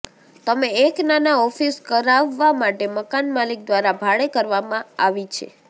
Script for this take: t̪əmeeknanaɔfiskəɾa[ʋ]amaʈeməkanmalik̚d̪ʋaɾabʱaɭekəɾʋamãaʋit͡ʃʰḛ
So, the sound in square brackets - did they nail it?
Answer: no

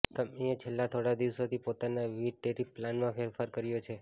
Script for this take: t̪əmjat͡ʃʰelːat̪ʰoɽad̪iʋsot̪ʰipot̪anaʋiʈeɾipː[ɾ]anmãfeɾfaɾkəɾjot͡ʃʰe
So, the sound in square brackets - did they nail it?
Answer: no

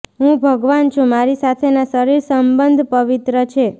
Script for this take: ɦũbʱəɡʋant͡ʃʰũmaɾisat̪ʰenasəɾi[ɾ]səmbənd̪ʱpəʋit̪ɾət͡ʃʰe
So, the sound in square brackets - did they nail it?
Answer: yes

